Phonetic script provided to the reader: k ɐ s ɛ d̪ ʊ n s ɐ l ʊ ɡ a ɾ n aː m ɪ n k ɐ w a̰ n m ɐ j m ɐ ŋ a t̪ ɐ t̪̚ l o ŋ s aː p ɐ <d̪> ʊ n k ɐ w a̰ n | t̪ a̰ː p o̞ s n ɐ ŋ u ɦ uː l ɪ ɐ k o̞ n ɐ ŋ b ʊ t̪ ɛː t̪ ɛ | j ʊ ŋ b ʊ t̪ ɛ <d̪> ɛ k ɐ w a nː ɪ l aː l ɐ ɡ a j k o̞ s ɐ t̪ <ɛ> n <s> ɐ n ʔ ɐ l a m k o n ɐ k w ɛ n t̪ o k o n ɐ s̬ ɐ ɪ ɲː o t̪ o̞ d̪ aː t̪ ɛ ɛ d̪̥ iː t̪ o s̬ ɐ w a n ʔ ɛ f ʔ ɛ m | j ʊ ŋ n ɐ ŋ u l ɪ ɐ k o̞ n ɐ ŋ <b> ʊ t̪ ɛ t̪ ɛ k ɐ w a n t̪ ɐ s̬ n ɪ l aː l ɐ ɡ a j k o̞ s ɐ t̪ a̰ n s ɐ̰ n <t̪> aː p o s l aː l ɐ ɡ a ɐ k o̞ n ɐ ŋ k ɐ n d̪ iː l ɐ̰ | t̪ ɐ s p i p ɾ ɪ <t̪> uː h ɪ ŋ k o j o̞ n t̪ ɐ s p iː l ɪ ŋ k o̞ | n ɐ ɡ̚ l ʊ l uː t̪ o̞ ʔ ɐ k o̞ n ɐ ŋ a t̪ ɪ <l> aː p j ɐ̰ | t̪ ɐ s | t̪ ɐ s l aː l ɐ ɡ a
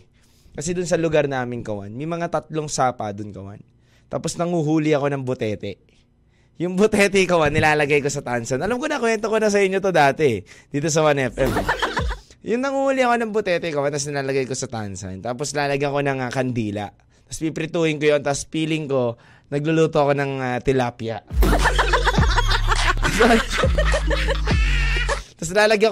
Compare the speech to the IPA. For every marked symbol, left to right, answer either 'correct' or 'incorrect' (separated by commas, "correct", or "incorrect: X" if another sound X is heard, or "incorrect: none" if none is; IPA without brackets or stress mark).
correct, incorrect: t̪, incorrect: a, correct, correct, correct, correct, correct